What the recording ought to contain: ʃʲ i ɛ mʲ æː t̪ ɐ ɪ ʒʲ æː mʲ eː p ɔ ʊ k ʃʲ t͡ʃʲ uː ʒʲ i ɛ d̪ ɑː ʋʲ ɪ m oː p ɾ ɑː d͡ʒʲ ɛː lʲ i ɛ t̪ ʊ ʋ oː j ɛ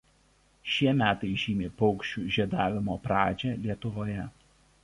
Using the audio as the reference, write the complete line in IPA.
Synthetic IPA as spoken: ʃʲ i ɛ mʲ æː t̪ ɐ ɪ ʒʲ iː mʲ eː p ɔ ʊ k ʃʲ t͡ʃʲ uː ʒʲ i ɛ d̪ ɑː ʋʲ ɪ m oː p ɾ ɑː d͡ʒʲ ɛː lʲ i ɛ t̪ ʊ ʋ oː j ɛ